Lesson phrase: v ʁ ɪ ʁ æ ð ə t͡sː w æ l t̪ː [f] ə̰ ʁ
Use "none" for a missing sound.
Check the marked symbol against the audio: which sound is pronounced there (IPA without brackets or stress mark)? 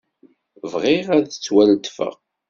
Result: f